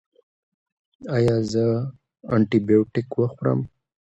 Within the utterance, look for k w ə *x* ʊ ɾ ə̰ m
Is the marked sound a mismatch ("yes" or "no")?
no